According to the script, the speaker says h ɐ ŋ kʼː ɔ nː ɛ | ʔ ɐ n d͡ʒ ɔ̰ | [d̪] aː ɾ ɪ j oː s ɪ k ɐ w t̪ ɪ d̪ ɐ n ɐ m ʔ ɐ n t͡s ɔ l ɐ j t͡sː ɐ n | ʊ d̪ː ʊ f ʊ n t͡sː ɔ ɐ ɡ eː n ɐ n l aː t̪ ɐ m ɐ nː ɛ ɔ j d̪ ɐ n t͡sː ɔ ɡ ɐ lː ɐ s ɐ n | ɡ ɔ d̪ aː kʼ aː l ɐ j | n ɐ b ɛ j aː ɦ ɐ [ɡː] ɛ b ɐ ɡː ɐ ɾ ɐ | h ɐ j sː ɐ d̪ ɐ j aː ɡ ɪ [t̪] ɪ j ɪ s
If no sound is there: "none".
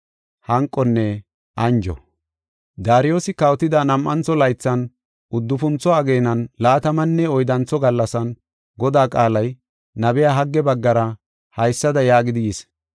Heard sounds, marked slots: d̪, ɡː, d̪

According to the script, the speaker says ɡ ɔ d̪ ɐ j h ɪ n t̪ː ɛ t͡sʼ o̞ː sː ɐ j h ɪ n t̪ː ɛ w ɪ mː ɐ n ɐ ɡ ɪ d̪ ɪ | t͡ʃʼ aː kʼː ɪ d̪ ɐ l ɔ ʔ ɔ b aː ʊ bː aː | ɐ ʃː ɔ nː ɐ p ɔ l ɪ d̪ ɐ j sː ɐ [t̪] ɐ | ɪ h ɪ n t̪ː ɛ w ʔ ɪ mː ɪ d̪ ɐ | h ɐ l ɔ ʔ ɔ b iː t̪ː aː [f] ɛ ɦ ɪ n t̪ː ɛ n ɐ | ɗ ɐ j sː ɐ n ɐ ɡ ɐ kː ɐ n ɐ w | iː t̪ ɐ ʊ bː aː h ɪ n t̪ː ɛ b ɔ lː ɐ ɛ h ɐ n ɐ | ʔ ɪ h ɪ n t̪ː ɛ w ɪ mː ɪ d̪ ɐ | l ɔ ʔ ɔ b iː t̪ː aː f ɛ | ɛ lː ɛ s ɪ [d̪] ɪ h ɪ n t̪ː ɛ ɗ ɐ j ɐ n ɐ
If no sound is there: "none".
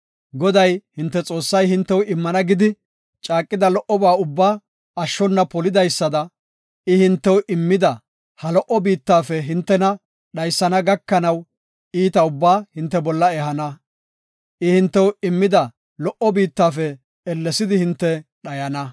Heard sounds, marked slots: d̪, f, d̪

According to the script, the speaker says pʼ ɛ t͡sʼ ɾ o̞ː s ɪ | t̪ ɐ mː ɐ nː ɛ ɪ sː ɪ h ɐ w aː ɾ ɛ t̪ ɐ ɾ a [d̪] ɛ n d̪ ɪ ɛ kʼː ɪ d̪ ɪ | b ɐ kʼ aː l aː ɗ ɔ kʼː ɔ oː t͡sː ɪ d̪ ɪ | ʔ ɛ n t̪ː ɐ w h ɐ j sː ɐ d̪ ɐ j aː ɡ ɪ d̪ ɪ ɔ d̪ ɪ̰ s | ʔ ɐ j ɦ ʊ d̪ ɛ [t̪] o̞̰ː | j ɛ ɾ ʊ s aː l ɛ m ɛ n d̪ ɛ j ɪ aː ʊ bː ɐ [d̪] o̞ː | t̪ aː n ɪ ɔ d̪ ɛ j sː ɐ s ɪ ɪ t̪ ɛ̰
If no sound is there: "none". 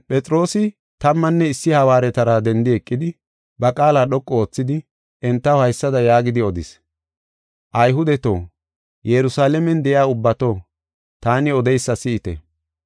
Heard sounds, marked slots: d̪, t̪, t̪

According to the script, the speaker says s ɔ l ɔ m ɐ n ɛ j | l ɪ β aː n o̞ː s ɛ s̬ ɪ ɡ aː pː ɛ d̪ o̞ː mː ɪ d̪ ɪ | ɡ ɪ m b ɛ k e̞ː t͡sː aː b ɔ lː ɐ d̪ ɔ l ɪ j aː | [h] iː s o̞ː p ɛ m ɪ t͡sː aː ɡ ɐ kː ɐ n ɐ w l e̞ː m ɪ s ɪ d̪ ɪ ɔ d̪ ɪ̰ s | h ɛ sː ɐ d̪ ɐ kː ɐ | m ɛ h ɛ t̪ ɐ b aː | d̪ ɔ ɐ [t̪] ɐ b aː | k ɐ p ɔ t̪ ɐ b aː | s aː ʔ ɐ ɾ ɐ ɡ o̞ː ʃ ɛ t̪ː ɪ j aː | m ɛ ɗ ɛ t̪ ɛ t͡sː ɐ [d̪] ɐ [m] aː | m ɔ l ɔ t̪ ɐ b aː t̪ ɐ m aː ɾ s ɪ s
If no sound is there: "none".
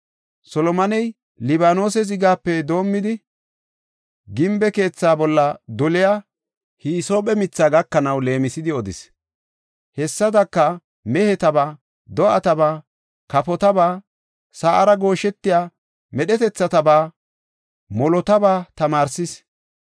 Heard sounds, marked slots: h, t̪, t̪, b

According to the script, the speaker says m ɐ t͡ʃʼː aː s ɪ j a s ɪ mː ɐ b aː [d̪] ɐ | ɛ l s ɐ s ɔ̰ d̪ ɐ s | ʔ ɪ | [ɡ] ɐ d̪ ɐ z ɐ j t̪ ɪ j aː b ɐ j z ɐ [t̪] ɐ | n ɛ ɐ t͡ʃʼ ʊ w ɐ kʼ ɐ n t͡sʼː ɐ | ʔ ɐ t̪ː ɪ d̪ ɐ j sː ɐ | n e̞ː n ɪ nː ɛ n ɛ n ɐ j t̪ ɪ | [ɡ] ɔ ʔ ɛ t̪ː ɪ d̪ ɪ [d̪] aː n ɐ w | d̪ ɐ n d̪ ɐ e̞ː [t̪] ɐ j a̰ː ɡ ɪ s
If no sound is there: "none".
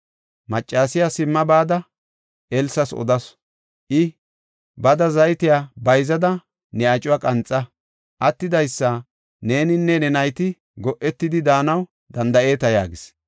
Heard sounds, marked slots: d̪, b, d̪, ɡ, d̪, t̪

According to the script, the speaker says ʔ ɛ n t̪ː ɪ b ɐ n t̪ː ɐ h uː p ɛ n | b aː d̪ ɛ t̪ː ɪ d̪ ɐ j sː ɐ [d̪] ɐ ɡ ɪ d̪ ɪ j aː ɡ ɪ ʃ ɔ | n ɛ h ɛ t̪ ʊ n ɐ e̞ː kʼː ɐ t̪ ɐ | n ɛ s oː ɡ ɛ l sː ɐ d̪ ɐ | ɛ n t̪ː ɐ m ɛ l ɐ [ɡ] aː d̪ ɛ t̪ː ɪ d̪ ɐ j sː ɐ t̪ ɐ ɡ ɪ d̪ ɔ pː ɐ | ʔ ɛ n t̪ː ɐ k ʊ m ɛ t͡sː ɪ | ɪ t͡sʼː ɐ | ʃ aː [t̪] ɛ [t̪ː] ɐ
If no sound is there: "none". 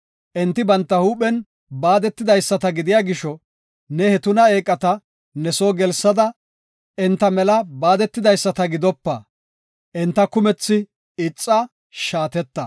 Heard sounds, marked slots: t̪, b, t̪, t̪ː

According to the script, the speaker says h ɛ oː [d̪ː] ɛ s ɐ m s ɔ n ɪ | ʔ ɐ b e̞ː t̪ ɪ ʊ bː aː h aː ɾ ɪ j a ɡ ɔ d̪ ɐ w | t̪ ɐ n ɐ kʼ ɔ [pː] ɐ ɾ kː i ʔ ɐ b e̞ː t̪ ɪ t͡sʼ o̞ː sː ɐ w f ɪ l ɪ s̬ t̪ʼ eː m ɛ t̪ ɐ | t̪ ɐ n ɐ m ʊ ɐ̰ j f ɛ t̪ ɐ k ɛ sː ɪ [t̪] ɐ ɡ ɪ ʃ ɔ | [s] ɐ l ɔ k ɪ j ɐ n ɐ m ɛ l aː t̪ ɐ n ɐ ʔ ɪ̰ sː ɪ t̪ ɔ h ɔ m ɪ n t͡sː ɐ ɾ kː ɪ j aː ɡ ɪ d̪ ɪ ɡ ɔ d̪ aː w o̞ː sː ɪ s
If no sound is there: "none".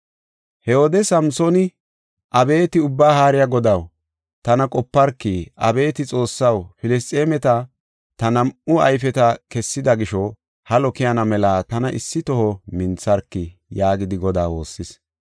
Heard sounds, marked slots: d̪, pː, d̪, h

